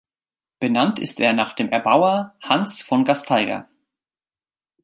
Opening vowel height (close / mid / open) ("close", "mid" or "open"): mid